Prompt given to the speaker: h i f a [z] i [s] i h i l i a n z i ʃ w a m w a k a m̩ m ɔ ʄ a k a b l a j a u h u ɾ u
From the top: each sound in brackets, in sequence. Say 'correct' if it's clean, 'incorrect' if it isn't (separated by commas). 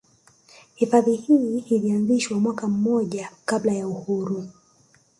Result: incorrect, incorrect